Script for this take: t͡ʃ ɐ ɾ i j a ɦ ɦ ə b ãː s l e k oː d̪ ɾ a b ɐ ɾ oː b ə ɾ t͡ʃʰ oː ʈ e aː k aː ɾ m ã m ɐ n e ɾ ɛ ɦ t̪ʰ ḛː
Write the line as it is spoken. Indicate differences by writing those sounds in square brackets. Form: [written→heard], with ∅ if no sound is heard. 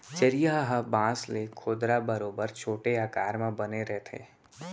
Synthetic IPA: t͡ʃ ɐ ɾ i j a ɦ ɦ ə b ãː s l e [k→kʰ] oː d̪ ɾ a b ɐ ɾ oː b ə ɾ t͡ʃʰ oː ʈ e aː k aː ɾ m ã [m→b] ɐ n e ɾ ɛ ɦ t̪ʰ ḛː